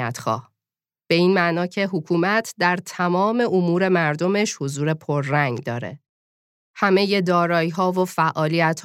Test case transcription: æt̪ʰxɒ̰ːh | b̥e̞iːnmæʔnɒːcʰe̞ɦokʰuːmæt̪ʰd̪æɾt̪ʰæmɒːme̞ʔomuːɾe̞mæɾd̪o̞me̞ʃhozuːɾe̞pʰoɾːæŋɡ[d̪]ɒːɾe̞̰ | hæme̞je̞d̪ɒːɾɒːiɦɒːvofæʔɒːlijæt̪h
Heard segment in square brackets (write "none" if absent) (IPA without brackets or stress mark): d̪